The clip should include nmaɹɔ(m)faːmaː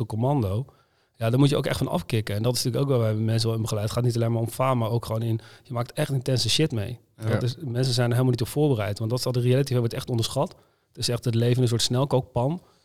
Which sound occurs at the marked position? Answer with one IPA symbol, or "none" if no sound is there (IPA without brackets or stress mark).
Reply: m